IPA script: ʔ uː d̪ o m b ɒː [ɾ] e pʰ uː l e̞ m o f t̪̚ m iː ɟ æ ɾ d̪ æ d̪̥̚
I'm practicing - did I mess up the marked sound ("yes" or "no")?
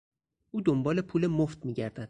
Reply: yes